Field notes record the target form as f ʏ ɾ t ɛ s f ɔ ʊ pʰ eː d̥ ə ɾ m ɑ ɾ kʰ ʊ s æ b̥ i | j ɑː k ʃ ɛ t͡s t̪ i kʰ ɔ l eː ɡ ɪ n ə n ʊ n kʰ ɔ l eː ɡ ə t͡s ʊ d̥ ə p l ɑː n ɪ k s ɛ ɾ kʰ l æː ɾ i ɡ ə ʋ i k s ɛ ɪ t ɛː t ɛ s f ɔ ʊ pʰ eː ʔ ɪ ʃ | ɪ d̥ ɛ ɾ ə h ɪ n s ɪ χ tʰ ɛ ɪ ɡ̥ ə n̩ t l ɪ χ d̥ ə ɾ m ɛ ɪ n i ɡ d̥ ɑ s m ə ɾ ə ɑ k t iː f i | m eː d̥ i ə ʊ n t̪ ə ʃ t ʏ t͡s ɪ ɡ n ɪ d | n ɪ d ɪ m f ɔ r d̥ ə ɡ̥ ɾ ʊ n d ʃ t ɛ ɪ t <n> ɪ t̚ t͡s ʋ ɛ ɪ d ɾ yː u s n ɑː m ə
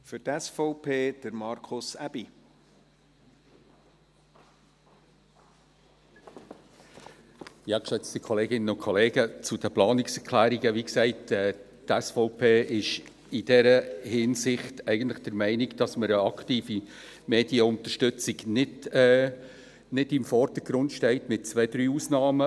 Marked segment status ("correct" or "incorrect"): incorrect